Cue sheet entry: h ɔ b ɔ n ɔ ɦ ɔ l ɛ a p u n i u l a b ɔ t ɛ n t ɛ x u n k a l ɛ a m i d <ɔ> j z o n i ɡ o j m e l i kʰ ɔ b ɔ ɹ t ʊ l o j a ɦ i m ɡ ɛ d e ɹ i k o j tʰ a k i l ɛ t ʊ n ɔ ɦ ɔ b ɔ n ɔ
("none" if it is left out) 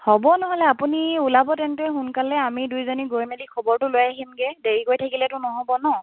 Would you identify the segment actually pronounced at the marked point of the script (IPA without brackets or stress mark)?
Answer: u